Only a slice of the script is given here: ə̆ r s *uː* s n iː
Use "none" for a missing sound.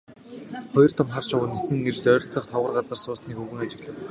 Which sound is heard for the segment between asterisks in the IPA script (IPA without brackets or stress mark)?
ʊː